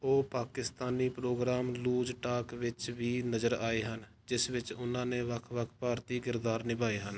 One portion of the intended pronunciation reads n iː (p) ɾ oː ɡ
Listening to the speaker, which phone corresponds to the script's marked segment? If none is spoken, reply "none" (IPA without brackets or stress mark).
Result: p